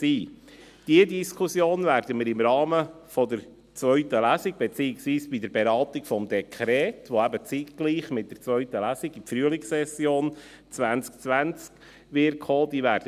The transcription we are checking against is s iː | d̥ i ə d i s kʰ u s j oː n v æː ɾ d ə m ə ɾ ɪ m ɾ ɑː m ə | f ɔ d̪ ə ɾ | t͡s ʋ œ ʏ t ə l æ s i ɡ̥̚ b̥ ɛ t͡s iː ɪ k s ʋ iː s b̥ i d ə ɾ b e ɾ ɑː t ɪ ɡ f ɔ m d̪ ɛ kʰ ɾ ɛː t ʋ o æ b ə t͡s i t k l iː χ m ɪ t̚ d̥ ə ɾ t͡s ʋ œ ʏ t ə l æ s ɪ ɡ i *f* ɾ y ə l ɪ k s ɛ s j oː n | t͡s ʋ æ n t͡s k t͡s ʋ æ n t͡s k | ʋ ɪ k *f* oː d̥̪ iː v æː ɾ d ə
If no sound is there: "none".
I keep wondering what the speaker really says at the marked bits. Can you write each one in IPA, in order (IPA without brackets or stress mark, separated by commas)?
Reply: f, h